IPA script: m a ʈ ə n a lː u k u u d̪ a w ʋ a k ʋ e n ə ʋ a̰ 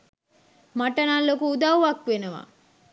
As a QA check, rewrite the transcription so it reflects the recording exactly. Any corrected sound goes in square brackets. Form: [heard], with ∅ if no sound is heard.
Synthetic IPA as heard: m a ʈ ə n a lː [o] k u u d̪ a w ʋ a k ʋ e n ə ʋ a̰